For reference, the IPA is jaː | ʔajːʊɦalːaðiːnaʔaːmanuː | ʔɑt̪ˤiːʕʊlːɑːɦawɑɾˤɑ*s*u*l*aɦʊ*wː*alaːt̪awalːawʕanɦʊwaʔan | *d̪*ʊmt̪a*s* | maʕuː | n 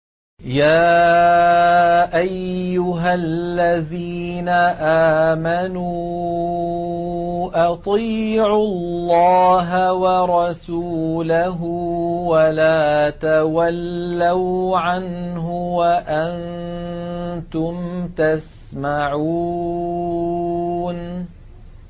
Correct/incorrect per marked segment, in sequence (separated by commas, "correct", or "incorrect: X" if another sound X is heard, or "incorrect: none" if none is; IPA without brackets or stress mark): correct, correct, incorrect: w, incorrect: t̪, correct